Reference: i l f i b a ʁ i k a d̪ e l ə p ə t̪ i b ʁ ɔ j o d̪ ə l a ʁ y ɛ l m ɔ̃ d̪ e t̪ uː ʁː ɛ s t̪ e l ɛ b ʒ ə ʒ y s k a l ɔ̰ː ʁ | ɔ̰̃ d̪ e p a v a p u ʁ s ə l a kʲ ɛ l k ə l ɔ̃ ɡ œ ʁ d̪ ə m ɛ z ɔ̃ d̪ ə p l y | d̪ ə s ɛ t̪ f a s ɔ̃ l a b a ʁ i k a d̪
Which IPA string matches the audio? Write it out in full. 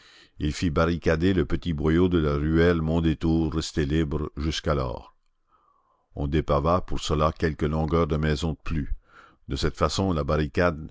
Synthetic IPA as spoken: i l f i b a ʁ i k a d̪ e l ə p ə t̪ i b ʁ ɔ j o d̪ ə l a ʁ y ɛ l m ɔ̃ d̪ e t̪ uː ʁː ɛ s t̪ e l i b ʁ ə ʒ y s k a l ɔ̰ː ʁ | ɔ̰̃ d̪ e p a v a p u ʁ s ə l a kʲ ɛ l k ə l ɔ̃ ɡ œ ʁ d̪ ə m ɛ z ɔ̃ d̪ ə p l y | d̪ ə s ɛ t̪ f a s ɔ̃ l a b a ʁ i k a d̪